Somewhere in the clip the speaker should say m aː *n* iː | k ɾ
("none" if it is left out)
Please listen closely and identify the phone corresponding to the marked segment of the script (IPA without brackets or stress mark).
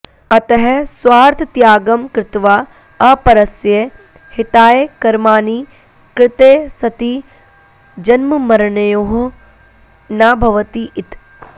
n